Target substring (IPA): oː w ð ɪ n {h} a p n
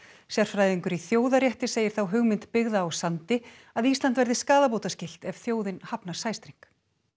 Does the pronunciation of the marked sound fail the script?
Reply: no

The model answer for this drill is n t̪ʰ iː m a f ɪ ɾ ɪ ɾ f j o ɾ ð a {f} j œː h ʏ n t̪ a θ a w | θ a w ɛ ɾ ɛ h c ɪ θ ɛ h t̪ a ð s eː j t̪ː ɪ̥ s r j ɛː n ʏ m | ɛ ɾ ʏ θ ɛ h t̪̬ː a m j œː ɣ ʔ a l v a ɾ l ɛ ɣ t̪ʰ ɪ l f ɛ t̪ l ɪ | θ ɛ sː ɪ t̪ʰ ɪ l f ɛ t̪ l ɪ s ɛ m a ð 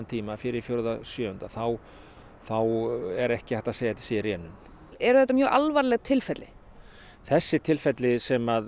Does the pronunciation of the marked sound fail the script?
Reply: yes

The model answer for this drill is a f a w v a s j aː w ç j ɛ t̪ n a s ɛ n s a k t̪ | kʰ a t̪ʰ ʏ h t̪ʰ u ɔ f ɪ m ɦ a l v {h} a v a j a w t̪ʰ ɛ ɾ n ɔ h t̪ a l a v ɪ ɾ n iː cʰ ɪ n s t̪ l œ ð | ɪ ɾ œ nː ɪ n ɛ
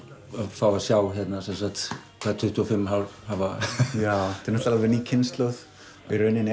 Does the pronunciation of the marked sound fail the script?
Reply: no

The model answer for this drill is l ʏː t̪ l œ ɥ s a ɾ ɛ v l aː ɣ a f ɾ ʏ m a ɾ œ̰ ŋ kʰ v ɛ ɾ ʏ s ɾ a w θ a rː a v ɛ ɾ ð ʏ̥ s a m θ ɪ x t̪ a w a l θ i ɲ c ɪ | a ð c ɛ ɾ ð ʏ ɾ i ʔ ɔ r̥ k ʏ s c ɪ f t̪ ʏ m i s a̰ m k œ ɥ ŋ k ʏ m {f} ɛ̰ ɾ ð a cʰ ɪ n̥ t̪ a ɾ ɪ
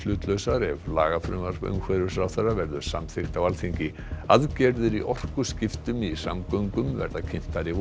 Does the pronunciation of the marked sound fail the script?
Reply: yes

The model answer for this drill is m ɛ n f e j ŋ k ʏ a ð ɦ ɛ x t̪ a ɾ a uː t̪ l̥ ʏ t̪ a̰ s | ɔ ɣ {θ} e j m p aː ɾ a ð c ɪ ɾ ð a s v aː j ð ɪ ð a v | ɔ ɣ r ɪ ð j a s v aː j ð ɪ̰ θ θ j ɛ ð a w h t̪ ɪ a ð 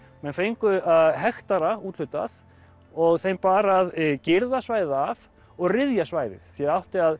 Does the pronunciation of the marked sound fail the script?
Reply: no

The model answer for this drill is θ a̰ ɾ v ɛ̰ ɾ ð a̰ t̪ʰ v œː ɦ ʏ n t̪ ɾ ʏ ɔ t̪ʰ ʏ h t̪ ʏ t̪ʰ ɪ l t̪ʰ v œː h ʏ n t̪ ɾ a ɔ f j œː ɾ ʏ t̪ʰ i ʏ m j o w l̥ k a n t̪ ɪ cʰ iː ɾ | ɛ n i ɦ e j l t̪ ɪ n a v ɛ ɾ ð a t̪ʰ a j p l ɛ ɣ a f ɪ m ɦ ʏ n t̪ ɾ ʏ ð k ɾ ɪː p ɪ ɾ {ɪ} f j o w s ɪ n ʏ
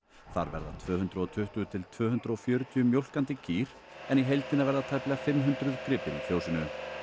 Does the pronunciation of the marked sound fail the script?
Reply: yes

